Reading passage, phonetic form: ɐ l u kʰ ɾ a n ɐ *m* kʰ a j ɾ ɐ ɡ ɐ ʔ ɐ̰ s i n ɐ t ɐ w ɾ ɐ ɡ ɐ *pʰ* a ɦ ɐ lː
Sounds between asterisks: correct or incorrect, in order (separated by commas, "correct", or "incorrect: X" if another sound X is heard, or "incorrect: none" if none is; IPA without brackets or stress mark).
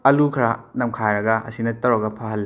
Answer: correct, correct